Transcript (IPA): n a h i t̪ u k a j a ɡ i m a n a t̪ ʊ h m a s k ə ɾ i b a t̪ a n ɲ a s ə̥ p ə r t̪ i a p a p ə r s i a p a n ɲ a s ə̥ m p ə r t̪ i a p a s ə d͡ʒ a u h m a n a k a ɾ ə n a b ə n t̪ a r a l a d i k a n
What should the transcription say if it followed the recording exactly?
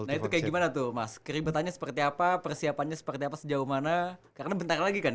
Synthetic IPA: n a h i t̪ u k a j a ɡ i m a n a t̪ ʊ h m a s k ə ɾ i b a t̪ a n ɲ a s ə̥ p ə r t̪ i a p a p ə r s i a p a n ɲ a s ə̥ p ə r t̪ i a p a s ə d͡ʒ a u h m a n a k a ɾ ə n a b ə n t̪ a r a l a ɡ i k a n